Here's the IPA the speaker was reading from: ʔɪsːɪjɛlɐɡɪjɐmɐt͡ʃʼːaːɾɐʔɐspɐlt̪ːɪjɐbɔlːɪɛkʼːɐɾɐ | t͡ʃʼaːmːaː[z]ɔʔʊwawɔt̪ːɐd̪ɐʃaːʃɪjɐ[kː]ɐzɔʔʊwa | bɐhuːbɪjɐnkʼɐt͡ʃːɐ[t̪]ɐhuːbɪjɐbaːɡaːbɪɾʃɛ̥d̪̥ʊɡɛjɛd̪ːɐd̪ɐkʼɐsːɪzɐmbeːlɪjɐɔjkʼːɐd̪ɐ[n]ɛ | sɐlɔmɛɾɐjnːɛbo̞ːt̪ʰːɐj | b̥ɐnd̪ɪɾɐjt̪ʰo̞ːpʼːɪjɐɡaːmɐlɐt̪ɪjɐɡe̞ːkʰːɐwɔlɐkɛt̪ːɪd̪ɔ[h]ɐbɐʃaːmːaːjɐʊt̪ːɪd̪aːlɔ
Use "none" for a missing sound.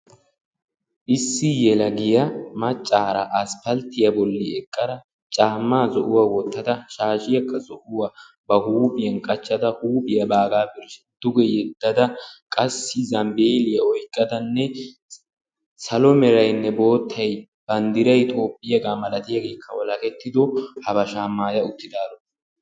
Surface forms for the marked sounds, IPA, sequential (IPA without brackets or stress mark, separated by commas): z, kː, d̪, nː, h